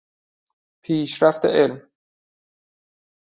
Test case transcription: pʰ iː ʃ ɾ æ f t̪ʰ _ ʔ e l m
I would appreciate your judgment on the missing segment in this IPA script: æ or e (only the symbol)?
e